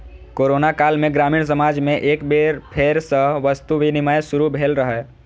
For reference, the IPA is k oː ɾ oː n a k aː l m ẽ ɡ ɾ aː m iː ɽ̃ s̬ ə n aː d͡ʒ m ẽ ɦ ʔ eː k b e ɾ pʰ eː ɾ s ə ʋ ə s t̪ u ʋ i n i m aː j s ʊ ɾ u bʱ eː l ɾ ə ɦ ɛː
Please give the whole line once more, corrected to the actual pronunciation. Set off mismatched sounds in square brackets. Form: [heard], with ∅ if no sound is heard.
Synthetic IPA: k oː ɾ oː n a k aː l m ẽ ɡ ɾ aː m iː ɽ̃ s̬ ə [m] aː d͡ʒ m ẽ [∅] ʔ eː k b e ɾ pʰ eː ɾ s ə ʋ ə s t̪ u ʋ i n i m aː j s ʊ ɾ u bʱ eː l ɾ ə ɦ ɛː